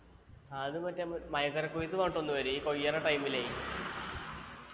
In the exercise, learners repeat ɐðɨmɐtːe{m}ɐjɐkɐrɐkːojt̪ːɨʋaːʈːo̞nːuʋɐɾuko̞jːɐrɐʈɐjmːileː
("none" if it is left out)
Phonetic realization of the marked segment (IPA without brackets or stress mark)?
m